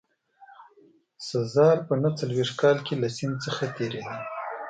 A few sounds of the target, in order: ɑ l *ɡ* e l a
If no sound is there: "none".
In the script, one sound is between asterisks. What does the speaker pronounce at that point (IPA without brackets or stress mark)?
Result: k